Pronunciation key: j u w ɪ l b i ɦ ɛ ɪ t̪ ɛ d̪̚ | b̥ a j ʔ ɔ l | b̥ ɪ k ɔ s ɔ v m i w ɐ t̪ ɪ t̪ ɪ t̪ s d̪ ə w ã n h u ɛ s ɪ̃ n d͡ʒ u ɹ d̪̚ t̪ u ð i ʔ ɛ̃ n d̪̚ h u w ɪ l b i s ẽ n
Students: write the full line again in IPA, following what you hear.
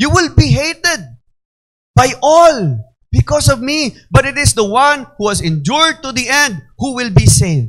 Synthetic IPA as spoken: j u w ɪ l b i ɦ e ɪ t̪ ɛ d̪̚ | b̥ a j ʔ ɔ l | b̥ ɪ k ɔ s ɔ v m i b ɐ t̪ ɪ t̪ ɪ s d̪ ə w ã n h u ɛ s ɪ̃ n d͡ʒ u ɹ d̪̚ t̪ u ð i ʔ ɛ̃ n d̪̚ h u w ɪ l b i s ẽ n